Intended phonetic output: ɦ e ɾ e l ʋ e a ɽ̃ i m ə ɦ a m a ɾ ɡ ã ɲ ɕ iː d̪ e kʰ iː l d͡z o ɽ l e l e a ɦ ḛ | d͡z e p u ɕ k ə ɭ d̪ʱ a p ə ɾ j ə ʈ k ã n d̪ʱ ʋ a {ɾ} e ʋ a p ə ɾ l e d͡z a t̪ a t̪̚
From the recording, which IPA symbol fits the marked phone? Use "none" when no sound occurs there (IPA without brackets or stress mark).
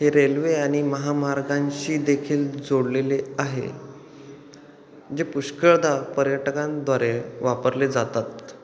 ɾ